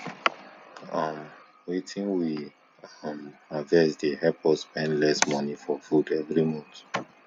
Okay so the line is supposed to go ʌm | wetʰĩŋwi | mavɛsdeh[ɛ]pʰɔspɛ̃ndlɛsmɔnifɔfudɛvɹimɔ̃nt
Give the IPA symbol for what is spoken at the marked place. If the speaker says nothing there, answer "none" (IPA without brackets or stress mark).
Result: ɛ